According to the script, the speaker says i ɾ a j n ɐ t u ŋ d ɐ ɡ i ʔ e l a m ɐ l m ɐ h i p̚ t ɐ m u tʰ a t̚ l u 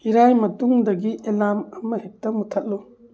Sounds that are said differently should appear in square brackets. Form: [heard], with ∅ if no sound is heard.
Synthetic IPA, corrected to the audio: i ɾ a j [m] ɐ t u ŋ d ɐ ɡ i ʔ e l a m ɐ [∅] m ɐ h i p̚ t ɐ m u tʰ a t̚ l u